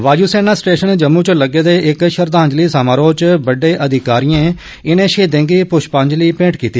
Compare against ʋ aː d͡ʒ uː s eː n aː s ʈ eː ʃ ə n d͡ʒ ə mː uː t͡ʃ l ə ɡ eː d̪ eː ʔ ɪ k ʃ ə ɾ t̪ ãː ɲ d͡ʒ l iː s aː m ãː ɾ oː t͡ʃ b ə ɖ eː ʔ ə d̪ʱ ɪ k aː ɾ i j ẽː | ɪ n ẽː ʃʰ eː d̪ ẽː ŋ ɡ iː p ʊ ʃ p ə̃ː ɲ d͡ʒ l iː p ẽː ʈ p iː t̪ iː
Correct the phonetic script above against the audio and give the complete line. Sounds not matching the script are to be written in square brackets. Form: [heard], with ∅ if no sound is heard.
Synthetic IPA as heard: ʋ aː d͡ʒ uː s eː n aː s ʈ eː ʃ ə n d͡ʒ ə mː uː t͡ʃ l ə ɡ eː d̪ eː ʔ ɪ k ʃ ə ɾ [d̪] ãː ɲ d͡ʒ l iː s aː m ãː ɾ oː t͡ʃ b ə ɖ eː ʔ ə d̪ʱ ɪ k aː ɾ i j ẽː | ɪ n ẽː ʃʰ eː d̪ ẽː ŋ ɡ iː p ʊ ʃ p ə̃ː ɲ d͡ʒ l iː p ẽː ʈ [k] iː t̪ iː

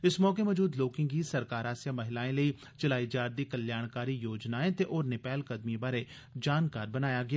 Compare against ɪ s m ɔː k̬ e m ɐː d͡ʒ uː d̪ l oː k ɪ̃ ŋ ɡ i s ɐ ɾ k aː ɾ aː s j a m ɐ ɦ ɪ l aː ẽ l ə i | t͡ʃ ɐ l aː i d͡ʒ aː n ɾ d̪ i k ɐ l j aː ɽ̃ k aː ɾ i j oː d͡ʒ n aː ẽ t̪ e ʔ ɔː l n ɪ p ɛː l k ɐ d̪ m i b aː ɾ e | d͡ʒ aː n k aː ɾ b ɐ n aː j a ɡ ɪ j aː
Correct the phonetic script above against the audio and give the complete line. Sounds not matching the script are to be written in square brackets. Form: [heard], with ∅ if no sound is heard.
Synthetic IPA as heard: ɪ s m ɔː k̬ e m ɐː d͡ʒ uː d̪ l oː k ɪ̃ ŋ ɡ i s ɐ ɾ k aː ɾ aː s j a m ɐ ɦ ɪ l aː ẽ l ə i | t͡ʃ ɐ l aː i d͡ʒ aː [∅] ɾ d̪ i k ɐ l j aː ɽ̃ k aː ɾ i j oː d͡ʒ n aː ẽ t̪ e ʔ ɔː [ɾ] n ɪ p ɛː l k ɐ d̪ m i b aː ɾ e | d͡ʒ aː n k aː ɾ b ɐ n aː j a ɡ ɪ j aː

